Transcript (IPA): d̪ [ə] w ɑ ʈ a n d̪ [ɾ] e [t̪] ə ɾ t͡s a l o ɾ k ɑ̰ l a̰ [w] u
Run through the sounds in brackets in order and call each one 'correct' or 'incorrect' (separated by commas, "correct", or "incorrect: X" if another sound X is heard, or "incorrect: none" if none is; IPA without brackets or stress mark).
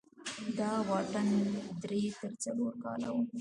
incorrect: ɑ, correct, correct, correct